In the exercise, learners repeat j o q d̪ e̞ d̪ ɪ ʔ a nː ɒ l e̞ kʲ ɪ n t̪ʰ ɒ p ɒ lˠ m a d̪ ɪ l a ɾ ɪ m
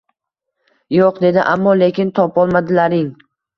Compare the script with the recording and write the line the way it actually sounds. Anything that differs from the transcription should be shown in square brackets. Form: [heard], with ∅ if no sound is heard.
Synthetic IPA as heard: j o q d̪ e̞ d̪ ɪ ʔ a [mː] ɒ l e̞ kʲ ɪ n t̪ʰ ɒ p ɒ lˠ m a d̪ ɪ l a ɾ ɪ [ŋ]